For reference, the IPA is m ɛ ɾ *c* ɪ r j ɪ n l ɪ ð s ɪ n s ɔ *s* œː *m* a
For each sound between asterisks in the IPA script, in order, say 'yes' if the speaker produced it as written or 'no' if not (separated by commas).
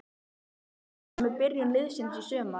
no, yes, yes